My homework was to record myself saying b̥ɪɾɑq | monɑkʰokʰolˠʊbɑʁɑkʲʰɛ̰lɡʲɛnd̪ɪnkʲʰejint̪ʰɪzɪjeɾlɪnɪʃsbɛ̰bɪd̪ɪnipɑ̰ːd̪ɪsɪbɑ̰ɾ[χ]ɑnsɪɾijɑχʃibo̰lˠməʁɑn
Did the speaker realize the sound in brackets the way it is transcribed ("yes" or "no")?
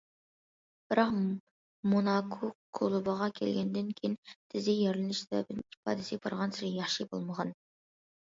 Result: no